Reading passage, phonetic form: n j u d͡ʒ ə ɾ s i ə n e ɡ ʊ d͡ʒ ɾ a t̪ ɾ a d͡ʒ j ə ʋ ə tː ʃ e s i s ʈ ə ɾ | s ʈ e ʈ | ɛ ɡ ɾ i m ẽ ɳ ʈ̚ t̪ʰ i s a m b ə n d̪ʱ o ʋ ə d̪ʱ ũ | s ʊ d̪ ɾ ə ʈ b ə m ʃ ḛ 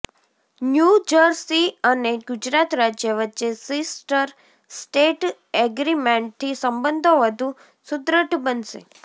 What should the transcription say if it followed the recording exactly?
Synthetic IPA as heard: n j u d͡ʒ ə ɾ s i ə n e ɡ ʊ d͡ʒ ɾ a t̪ ɾ a d͡ʒ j ə ʋ ə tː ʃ e s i s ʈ ə ɾ | s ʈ e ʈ | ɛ ɡ ɾ i m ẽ ɳ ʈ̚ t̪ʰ i s ə m b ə n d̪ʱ o ʋ ə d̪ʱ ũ | s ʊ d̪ ɾ ə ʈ b ə n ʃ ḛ